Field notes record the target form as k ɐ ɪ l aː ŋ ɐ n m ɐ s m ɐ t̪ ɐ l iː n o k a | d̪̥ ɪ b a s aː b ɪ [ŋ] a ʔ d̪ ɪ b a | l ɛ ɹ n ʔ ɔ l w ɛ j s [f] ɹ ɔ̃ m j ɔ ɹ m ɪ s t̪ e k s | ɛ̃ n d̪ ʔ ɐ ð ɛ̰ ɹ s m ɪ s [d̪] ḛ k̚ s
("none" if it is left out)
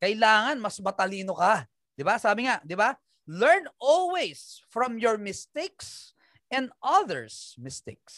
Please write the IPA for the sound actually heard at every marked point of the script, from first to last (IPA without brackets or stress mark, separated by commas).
ŋ, f, t̪